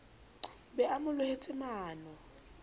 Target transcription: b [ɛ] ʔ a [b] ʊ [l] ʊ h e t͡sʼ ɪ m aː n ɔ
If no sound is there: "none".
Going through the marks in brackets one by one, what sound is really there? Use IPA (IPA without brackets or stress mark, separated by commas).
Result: ɛ, m, l